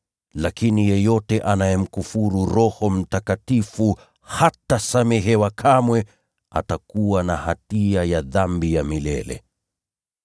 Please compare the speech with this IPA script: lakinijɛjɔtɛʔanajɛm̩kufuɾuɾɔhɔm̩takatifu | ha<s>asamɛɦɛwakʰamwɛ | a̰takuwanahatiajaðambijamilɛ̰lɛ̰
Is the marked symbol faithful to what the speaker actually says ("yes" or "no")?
no